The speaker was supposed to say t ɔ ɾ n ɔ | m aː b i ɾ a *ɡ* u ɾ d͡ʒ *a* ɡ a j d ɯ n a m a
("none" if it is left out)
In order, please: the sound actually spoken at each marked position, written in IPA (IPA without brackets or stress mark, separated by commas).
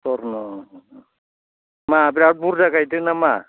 b, a